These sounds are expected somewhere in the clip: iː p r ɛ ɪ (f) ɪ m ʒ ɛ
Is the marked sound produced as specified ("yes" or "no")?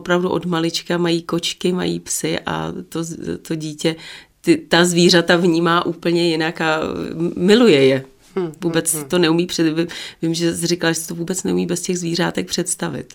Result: no